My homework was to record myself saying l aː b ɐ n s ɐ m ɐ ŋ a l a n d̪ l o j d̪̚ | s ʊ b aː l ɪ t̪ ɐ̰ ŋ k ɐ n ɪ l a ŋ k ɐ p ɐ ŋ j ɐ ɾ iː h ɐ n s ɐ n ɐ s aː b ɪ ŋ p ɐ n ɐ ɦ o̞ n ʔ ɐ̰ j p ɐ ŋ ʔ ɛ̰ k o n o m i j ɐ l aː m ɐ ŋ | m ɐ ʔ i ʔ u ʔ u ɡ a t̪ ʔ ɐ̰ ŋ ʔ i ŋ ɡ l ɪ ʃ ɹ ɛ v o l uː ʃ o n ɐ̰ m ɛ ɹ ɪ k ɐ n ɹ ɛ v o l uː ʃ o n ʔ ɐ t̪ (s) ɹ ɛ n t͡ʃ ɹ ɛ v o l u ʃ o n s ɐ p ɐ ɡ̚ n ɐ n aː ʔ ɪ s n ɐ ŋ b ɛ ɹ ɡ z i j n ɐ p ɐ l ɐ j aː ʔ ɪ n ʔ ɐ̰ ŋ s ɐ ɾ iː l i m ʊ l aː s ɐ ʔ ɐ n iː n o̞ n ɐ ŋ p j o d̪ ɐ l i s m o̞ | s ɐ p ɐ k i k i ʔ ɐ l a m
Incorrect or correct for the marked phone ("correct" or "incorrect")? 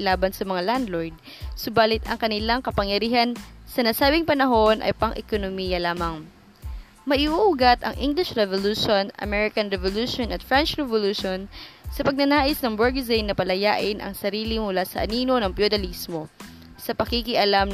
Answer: incorrect